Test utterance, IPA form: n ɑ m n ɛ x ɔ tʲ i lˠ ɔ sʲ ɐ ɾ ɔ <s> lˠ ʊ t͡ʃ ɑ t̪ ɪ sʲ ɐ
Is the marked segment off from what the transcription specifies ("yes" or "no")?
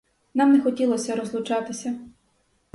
yes